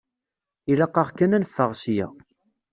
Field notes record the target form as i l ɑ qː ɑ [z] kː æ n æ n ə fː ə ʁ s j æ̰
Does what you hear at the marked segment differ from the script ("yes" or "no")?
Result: yes